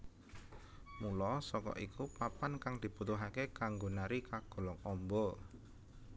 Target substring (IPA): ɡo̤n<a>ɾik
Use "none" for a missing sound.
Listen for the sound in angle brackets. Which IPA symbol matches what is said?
a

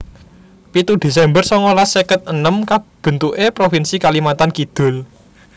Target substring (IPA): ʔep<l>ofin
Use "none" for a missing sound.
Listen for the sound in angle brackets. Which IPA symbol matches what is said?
ɾ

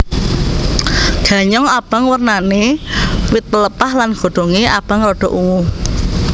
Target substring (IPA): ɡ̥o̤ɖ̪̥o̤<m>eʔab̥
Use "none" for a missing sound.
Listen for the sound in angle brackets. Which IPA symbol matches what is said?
ŋ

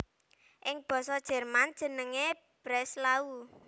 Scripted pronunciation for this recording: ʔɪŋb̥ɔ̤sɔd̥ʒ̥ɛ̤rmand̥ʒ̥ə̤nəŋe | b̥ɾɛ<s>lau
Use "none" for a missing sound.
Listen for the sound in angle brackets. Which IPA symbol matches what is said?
s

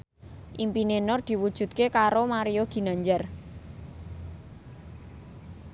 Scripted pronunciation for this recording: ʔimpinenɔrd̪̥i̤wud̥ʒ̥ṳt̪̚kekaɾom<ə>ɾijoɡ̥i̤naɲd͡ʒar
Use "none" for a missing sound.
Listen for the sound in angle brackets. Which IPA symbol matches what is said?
a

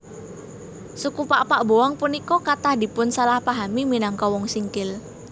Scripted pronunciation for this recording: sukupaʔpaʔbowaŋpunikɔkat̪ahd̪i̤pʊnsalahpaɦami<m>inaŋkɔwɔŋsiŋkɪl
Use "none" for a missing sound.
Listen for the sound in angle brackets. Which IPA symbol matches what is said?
m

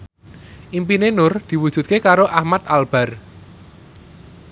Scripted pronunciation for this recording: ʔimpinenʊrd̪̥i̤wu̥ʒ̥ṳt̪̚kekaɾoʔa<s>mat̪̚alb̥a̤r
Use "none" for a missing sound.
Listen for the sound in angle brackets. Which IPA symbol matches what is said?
h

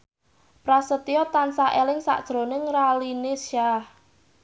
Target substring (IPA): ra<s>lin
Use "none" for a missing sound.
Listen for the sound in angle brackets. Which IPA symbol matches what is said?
none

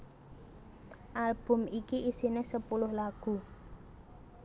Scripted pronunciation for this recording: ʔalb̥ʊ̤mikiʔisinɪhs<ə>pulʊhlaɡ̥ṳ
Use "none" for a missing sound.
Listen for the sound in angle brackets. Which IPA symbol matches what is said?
ə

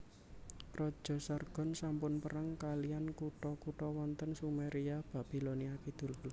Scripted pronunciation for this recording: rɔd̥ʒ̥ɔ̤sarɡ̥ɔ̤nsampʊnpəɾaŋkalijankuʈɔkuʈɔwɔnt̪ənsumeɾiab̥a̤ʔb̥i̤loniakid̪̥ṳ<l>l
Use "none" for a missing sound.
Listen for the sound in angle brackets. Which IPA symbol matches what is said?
l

